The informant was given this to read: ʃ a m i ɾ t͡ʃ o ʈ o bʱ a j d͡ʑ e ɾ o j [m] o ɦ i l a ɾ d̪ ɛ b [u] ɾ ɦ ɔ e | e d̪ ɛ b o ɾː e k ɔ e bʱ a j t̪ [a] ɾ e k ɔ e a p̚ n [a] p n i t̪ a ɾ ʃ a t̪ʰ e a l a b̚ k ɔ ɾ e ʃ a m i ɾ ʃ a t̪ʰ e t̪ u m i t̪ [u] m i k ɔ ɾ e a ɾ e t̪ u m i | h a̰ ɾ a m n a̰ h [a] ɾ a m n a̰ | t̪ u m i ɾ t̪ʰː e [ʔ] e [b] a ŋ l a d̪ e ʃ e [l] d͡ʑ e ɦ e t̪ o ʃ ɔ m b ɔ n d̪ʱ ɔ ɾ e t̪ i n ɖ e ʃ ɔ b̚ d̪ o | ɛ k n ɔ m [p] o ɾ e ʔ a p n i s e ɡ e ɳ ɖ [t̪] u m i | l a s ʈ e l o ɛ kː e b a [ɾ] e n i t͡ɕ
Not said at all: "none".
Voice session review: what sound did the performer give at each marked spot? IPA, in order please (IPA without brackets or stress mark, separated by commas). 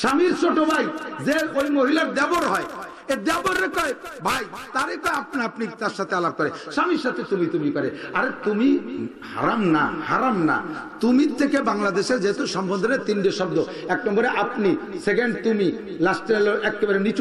m, o, a, a, u, a, k, b, ɾ, b, t̪, ɾ